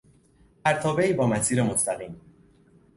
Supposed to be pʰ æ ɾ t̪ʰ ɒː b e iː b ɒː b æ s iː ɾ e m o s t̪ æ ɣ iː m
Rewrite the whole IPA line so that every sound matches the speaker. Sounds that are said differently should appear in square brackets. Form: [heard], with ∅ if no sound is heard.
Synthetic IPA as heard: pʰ æ ɾ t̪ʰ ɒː b e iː b ɒː [m] æ s iː ɾ e m o s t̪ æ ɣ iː m